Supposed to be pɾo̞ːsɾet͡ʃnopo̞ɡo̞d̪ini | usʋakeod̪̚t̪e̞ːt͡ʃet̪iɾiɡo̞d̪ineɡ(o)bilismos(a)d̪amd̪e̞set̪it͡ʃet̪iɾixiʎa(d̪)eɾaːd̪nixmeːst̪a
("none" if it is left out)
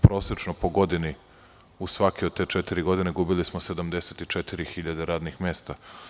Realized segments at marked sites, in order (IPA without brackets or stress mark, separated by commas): u, e, d̪